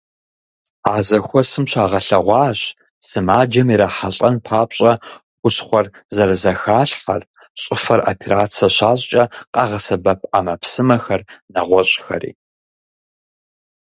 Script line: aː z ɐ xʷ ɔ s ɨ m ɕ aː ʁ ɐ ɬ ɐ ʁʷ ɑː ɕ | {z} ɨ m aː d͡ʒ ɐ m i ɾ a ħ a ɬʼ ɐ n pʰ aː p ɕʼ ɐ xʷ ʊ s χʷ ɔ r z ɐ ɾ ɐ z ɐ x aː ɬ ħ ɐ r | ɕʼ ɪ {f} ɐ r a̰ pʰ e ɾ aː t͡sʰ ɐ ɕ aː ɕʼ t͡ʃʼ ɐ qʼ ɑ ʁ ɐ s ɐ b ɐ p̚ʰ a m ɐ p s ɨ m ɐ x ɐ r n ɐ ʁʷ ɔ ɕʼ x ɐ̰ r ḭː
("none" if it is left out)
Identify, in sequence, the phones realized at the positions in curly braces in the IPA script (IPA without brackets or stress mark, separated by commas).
s, f